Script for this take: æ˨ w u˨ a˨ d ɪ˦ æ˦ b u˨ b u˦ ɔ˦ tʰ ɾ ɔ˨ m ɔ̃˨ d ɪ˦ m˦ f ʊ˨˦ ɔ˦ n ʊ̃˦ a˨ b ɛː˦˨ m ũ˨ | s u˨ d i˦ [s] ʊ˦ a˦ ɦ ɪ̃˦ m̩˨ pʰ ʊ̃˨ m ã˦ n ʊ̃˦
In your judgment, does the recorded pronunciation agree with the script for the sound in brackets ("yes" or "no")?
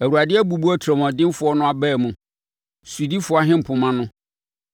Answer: no